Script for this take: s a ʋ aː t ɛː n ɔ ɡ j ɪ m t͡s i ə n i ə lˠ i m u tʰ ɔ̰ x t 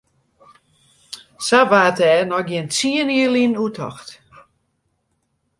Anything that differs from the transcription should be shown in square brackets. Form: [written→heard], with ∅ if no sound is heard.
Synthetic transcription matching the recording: s a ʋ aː t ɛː n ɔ ɡ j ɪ [m→n] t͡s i ə n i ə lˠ i [m→n] u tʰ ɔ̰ x t